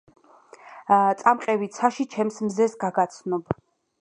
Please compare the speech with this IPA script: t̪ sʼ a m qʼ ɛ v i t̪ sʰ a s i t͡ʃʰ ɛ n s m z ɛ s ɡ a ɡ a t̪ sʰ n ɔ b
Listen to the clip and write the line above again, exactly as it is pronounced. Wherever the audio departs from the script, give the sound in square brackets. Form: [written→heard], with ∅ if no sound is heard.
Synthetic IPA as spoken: t̪ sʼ a m qʼ ɛ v i t̪ sʰ a [s→ʃ] i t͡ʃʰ ɛ [n→m] s m z ɛ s ɡ a ɡ a t̪ sʰ n ɔ b

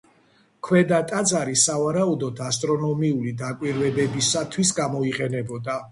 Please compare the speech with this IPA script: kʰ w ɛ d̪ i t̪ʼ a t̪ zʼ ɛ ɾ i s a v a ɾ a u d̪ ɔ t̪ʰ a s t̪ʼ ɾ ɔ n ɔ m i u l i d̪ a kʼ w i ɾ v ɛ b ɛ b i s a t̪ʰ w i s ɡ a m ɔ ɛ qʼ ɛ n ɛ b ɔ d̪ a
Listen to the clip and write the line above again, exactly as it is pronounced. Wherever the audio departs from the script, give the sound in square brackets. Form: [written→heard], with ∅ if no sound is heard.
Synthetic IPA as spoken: kʰ w ɛ d̪ [i→a] t̪ʼ a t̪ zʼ [ɛ→a] ɾ i s a v a ɾ a u d̪ ɔ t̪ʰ a s t̪ʼ ɾ ɔ n ɔ m i u l i d̪ a kʼ w i ɾ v ɛ b ɛ b i s a t̪ʰ w i s ɡ a m ɔ [ɛ→i] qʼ ɛ n ɛ b ɔ d̪ a

